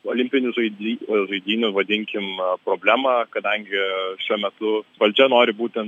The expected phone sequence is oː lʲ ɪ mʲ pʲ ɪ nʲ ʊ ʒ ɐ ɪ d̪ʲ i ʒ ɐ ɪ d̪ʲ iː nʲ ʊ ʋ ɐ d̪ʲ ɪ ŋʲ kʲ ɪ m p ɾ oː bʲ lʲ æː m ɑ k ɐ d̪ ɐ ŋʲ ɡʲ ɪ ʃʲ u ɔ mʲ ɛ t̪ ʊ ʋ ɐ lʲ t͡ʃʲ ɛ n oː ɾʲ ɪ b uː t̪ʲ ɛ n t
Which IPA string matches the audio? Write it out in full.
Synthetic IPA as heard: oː lʲ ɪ mʲ pʲ ɪ nʲ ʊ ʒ ɐ ɪ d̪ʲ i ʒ ɐ ɪ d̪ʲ iː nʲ ʊ ʋ ɐ d̪ʲ ɪ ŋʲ kʲ ɪ m p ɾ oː bʲ lʲ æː m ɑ k ɐ d̪ ɐ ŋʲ ɡʲ ɪ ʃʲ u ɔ mʲ ɛ t̪ ʊ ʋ ɐ lʲ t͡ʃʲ ɛ n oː ɾʲ ɪ b uː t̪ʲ ɛ n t